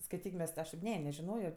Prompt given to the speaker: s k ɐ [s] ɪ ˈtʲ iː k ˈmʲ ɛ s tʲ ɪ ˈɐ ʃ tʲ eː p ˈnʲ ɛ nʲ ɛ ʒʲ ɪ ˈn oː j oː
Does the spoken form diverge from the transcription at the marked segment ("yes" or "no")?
yes